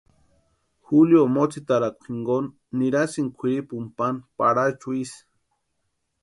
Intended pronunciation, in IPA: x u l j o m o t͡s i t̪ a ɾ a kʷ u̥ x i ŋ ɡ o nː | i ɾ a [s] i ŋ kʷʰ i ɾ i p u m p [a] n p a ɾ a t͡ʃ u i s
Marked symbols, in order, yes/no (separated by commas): yes, yes